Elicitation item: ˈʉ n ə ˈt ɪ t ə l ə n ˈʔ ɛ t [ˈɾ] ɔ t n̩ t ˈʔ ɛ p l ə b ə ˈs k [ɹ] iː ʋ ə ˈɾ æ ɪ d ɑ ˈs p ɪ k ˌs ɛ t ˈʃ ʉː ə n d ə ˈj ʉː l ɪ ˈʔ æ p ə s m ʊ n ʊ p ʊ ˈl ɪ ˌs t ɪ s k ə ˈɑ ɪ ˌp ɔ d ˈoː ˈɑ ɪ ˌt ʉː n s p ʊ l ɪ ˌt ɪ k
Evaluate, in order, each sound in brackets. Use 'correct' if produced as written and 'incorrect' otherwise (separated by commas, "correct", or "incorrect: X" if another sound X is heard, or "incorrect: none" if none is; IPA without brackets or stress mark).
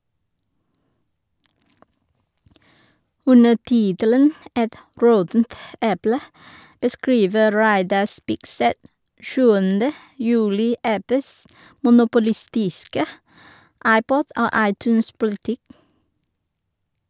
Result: incorrect: ɹ, correct